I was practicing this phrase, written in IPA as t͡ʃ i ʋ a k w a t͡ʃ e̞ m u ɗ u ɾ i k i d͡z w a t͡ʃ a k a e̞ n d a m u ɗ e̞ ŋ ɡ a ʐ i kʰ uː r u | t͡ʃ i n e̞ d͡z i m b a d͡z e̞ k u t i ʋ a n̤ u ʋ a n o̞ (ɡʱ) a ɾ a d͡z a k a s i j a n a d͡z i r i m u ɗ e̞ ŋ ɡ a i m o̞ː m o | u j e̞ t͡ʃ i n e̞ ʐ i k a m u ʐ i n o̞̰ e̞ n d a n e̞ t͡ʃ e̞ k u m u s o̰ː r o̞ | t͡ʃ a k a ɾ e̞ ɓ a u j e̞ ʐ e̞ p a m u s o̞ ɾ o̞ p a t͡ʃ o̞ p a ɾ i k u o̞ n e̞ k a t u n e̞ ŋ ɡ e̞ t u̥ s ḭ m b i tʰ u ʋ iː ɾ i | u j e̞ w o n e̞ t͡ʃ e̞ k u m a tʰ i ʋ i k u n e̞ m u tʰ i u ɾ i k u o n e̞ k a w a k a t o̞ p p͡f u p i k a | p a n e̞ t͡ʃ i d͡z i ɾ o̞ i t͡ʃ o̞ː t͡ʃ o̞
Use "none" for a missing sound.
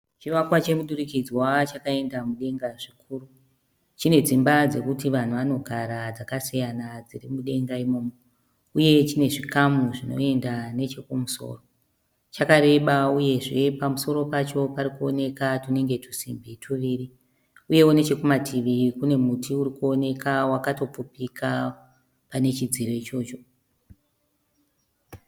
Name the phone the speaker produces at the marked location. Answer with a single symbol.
ɡʱ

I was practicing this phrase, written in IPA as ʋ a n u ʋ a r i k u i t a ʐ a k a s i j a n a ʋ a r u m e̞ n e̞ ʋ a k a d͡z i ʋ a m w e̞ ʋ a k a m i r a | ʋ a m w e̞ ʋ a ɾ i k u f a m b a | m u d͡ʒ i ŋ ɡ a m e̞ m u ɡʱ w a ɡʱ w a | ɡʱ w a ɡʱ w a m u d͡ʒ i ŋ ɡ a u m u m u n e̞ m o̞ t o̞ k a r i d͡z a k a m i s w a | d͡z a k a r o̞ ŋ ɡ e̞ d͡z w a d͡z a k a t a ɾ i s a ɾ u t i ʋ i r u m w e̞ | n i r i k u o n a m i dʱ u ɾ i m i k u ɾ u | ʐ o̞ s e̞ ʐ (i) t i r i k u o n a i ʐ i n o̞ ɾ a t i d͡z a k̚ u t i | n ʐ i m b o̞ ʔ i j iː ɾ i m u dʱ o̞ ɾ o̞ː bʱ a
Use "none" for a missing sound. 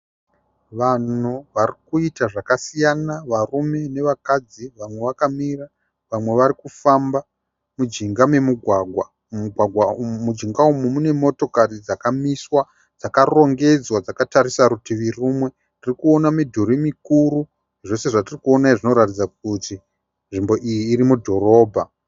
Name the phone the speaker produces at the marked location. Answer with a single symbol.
a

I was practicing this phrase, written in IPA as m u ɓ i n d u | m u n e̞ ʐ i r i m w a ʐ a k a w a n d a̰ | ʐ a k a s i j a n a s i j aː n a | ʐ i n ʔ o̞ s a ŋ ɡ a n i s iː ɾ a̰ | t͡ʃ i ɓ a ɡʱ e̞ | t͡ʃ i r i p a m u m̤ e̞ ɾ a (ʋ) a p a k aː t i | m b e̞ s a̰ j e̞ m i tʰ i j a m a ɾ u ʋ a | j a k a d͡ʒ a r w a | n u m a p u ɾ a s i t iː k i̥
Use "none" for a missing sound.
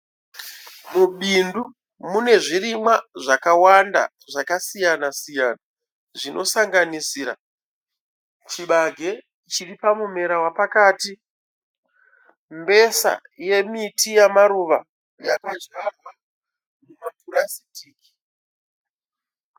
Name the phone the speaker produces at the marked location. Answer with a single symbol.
w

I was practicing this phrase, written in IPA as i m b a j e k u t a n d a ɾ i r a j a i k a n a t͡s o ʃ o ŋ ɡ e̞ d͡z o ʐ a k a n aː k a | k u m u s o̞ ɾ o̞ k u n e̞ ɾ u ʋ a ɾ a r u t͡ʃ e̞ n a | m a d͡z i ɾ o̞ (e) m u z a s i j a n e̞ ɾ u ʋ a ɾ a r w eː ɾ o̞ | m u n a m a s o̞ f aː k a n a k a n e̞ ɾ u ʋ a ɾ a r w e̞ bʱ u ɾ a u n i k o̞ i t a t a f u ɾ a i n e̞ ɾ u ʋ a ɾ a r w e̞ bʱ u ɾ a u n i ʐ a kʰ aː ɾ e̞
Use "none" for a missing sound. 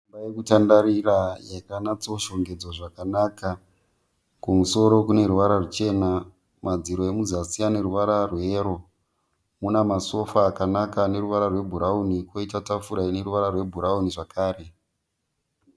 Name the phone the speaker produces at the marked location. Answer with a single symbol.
e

